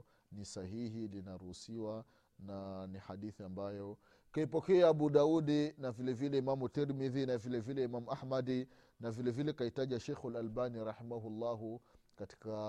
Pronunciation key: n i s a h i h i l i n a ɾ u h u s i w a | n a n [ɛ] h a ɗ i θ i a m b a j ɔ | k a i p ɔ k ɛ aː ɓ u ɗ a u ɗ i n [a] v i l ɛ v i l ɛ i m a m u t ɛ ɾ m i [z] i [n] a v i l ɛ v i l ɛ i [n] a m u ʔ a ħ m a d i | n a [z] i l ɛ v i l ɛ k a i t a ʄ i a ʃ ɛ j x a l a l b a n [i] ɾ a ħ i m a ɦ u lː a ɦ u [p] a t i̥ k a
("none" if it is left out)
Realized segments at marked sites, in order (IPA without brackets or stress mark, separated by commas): i, a, ð, n, m, v, i, k